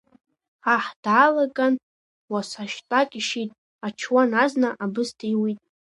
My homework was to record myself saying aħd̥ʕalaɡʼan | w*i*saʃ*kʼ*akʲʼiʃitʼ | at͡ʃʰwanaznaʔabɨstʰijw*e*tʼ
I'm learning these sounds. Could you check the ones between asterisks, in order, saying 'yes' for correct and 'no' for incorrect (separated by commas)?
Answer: no, no, no